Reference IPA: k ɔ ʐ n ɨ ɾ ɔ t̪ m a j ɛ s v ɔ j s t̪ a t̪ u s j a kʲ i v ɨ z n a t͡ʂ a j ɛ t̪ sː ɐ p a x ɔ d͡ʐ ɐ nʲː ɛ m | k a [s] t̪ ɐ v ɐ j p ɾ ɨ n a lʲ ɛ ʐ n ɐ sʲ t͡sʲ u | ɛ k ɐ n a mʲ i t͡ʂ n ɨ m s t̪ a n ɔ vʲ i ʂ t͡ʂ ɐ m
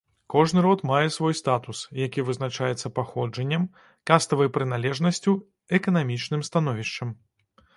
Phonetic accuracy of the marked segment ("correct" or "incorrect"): correct